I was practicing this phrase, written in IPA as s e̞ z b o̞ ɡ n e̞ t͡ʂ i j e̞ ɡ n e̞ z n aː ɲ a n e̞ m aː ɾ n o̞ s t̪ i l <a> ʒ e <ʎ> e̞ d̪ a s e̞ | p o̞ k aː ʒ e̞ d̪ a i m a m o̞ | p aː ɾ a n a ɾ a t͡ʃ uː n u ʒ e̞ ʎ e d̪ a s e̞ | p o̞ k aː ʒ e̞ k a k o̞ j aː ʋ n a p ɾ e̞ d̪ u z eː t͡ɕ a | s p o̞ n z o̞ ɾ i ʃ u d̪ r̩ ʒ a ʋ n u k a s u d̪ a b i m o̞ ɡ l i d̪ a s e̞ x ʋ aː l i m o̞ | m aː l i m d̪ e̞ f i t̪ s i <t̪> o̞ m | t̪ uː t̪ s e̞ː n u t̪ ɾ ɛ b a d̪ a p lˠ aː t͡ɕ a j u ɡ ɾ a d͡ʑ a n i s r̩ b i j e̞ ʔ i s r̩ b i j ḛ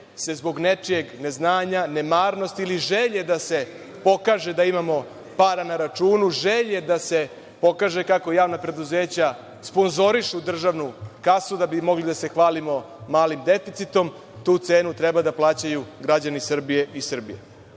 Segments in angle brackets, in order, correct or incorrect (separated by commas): incorrect, correct, correct